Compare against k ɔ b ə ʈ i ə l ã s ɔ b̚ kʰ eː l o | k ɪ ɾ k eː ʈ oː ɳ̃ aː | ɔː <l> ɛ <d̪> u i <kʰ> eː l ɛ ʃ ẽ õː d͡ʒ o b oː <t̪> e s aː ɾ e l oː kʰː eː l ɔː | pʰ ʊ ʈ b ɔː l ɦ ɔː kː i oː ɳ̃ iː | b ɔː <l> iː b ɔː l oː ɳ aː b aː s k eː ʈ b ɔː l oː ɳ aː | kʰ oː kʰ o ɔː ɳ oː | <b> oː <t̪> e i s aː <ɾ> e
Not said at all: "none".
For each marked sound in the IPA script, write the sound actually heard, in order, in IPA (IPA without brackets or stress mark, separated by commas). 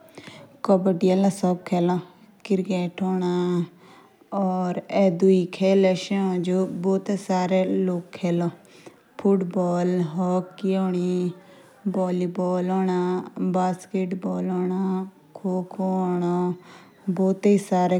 ɾ, d̪, kʰ, t̪, l, b, t̪, ɾ